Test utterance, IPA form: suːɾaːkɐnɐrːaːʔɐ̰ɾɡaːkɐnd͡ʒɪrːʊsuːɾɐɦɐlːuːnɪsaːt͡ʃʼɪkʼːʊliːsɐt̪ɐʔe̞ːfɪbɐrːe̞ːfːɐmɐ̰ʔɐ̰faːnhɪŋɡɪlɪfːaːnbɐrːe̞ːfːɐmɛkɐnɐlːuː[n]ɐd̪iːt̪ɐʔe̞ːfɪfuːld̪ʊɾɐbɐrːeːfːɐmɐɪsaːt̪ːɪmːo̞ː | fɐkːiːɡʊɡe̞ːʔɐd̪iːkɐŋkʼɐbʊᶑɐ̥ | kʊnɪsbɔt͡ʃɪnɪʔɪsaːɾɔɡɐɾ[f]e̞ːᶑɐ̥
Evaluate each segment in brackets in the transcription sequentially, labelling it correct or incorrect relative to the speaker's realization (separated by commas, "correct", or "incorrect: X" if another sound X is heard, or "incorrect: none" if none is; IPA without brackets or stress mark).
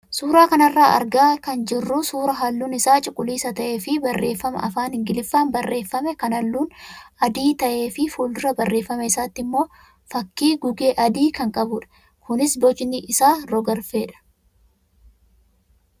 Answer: correct, correct